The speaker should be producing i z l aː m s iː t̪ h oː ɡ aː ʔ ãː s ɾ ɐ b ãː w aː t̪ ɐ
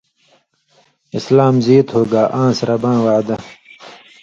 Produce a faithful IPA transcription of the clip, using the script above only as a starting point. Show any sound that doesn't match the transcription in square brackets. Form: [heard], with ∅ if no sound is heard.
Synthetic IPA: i [s] l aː m [z] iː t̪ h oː ɡ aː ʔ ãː s ɾ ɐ b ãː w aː [d̪] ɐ